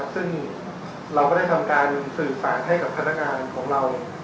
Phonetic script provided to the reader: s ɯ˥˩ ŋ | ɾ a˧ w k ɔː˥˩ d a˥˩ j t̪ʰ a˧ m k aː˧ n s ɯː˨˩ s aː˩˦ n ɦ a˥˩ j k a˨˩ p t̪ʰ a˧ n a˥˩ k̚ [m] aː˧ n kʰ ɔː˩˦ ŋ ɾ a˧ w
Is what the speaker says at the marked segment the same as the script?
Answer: no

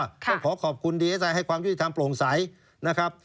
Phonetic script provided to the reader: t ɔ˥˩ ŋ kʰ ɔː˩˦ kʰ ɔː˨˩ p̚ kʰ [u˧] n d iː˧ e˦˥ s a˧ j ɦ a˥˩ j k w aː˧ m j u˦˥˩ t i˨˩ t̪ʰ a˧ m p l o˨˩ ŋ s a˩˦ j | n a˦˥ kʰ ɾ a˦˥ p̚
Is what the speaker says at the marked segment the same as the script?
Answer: yes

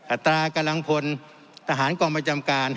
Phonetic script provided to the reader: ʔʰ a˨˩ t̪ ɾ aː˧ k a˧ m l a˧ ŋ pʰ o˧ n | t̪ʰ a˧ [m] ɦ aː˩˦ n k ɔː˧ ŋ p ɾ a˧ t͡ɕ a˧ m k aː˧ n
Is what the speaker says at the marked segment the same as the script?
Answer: no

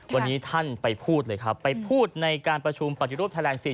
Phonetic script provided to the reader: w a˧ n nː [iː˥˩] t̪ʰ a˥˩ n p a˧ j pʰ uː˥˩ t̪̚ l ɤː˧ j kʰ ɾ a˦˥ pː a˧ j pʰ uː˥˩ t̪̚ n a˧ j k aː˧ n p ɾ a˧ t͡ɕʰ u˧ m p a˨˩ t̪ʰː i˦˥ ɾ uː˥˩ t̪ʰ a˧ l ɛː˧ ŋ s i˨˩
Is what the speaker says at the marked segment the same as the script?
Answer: no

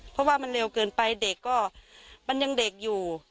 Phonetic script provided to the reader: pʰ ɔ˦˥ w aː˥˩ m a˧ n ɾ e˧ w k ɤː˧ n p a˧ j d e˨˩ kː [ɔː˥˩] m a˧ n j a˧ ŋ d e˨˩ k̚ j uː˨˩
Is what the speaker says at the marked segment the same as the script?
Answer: yes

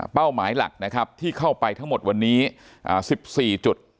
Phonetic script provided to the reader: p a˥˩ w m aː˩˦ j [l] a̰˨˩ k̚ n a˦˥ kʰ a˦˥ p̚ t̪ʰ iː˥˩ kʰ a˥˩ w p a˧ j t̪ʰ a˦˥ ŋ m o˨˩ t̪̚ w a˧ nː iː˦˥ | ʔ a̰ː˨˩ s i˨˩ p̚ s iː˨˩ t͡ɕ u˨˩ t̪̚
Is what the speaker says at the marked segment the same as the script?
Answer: yes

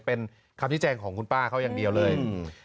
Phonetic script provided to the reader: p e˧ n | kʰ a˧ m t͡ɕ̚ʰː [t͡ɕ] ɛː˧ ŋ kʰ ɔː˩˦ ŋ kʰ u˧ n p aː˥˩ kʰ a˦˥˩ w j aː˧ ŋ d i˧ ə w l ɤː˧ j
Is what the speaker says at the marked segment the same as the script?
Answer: yes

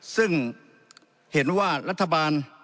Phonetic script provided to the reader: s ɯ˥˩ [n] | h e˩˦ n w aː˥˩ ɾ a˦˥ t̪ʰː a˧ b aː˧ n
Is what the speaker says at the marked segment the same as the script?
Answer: no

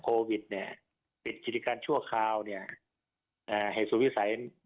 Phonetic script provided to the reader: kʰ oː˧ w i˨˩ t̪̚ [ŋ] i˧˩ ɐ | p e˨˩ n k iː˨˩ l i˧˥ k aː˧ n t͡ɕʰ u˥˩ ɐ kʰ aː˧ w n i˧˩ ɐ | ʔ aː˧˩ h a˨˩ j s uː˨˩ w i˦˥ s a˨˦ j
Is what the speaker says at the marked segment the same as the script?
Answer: no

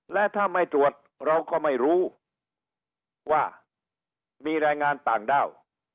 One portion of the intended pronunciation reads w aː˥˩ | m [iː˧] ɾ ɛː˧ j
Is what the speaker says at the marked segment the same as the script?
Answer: yes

